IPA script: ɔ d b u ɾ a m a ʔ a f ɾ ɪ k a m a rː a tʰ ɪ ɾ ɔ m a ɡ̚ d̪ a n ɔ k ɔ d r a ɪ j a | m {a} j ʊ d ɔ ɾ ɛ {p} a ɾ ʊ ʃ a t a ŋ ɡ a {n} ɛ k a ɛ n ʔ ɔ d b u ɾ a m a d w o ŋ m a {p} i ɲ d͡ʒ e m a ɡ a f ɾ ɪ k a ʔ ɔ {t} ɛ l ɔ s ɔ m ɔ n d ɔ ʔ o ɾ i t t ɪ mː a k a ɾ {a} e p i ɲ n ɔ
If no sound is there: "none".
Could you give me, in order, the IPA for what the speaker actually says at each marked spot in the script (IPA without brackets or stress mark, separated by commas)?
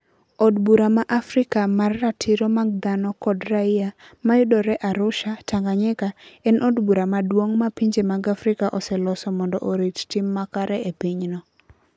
a, ʔ, ɲ, p, s, ɛ